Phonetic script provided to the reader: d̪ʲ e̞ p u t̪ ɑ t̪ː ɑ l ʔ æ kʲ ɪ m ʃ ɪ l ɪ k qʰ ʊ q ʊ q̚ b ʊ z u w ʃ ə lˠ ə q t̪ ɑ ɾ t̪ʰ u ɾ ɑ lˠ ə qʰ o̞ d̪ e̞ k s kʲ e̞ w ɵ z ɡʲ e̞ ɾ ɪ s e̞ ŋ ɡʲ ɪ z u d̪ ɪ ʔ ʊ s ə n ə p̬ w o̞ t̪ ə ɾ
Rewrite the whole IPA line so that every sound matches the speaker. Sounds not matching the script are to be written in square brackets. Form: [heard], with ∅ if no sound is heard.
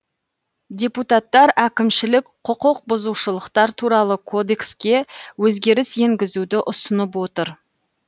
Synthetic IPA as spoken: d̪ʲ e̞ p u t̪ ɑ t̪ː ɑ [ɾ] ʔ æ kʲ ɪ m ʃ ɪ l ɪ k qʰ ʊ q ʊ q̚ b ʊ z u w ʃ ə lˠ ə q t̪ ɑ ɾ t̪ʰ u ɾ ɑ lˠ ə [kʰ] o̞ d̪ e̞ k s kʲ e̞ w ɵ z ɡʲ e̞ ɾ ɪ s e̞ ŋ ɡʲ ɪ z u d̪ ɪ ʔ ʊ s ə n ə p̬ w o̞ t̪ ə ɾ